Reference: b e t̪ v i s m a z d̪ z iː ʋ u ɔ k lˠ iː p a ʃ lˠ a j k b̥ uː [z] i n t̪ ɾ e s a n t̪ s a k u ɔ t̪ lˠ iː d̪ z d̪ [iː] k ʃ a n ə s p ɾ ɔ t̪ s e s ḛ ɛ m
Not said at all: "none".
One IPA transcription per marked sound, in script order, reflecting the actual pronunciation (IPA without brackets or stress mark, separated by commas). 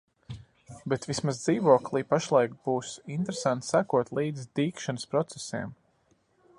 s, iː